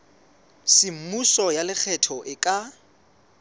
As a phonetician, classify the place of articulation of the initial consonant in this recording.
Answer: alveolar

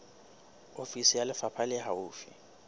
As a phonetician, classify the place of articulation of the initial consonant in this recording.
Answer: labial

